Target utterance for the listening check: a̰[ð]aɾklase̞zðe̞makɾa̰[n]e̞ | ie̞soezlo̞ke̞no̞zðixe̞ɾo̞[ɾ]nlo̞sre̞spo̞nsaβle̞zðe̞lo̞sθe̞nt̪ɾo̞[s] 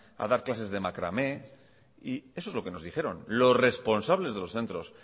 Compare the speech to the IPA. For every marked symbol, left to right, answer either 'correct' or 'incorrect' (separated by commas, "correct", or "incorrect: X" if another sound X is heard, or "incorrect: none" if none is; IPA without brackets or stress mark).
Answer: correct, incorrect: m, incorrect: none, correct